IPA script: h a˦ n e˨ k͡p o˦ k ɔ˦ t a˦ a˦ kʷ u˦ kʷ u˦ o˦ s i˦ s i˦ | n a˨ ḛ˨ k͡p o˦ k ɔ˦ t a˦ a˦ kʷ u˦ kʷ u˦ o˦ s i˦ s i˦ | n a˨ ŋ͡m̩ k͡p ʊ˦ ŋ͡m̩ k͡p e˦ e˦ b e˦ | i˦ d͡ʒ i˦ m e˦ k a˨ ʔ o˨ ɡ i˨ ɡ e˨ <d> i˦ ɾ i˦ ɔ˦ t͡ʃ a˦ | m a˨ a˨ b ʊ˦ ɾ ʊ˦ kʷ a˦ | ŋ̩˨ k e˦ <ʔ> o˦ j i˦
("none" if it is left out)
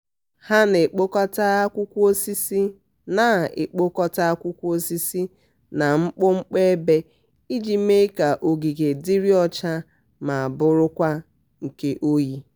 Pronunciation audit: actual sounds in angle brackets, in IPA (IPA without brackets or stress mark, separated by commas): d, ʔ